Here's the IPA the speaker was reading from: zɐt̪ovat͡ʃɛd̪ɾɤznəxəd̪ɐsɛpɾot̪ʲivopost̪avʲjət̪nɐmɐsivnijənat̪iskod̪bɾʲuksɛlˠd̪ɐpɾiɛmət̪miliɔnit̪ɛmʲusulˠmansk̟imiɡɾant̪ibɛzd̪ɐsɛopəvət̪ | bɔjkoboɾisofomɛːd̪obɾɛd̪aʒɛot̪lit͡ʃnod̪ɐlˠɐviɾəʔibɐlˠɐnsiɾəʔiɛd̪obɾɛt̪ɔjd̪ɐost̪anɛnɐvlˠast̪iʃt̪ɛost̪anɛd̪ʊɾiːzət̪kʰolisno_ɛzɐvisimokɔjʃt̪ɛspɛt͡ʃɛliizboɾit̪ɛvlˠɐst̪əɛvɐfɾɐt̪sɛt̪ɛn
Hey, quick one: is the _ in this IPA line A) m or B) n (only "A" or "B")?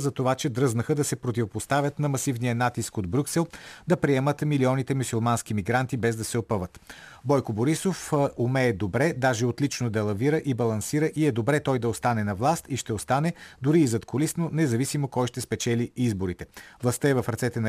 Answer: B